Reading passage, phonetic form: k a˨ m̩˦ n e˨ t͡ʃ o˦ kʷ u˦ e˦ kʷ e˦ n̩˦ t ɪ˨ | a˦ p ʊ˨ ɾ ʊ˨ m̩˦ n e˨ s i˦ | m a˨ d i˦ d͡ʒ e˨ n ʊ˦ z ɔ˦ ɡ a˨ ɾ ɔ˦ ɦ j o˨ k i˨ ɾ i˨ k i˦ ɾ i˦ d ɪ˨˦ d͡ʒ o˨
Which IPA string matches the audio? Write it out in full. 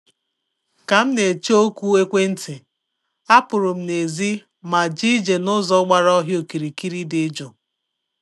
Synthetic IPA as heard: k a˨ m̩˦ n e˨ t͡ʃ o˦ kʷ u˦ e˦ kʷ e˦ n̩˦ t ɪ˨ | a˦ p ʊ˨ ɾ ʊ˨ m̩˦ n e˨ z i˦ | m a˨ d͡ʒ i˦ d͡ʒ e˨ n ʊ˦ z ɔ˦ ɡ͡b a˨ ɾ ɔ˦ ɦ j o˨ k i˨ ɾ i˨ k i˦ ɾ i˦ d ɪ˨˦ d͡ʒ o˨